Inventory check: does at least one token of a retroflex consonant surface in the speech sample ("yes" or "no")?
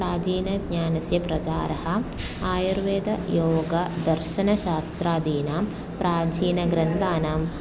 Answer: no